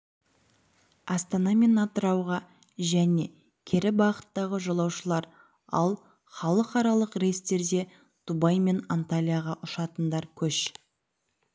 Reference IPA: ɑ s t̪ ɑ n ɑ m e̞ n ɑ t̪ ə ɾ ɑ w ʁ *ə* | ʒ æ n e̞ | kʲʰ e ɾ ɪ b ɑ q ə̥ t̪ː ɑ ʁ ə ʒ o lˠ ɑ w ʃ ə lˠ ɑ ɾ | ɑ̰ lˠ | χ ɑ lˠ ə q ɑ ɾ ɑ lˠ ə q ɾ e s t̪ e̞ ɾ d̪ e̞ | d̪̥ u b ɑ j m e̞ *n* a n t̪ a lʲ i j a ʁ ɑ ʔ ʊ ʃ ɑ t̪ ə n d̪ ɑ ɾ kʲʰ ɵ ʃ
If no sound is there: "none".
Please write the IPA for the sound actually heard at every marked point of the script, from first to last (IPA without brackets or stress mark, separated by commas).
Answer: ɑ, n